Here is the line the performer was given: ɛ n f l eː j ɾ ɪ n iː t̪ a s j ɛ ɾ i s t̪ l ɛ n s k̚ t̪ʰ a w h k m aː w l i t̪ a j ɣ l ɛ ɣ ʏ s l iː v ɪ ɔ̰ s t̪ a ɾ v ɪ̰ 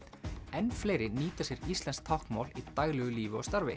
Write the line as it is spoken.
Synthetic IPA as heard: ɛ n f l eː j ɾ ɪ n iː t̪ a s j ɛ ɾ i s t̪ l ɛ n s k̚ t̪ʰ a w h k m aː w l i t̪ a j ɣ l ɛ ɣ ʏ l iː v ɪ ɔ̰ s t̪ a ɾ v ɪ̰